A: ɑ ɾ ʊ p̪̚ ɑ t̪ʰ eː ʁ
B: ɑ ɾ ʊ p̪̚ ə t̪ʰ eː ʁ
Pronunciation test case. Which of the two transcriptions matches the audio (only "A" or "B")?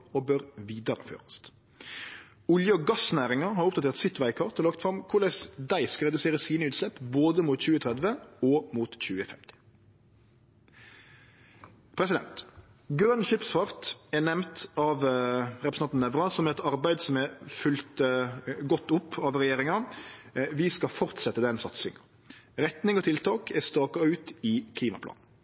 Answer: A